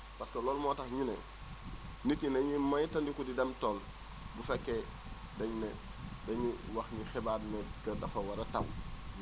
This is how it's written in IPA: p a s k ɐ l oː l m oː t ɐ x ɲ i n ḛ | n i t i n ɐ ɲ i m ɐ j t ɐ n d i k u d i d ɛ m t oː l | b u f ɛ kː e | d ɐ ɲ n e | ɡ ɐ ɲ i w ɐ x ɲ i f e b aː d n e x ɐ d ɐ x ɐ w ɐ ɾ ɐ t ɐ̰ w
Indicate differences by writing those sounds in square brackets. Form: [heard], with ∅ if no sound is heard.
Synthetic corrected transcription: p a s k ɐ l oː l m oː t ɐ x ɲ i n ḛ | n i t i n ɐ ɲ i m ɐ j t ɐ n d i k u d i d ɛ m t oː l | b u f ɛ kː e | d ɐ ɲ n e | [d] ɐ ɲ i w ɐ x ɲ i [x] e b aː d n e [k] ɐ d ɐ [f] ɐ w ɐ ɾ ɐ t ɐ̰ w